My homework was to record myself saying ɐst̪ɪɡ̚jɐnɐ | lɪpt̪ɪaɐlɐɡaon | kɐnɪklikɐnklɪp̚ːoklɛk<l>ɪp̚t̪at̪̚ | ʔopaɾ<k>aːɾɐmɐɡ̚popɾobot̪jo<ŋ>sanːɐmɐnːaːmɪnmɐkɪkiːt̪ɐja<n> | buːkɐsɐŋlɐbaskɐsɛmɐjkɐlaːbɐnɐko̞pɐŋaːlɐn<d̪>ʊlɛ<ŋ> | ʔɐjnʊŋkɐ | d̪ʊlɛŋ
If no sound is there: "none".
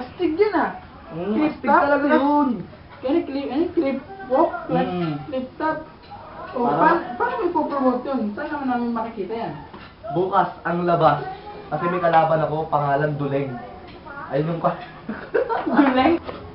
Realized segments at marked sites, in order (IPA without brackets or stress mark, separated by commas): l, p, n, n, d̪, ŋ